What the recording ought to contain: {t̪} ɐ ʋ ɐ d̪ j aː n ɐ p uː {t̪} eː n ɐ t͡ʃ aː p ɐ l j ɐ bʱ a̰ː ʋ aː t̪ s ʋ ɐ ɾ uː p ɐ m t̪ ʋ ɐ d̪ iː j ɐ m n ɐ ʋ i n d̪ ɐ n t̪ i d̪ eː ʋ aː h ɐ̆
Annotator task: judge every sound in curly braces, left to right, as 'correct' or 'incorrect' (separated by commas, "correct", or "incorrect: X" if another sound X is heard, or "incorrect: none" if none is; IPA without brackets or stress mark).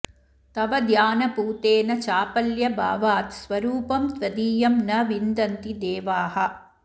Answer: correct, correct